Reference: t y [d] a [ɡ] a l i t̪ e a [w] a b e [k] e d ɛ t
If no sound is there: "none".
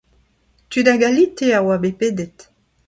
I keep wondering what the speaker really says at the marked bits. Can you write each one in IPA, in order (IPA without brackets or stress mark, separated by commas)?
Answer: d, ɡ, w, p